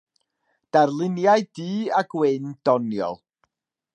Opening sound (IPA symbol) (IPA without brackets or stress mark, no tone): d̥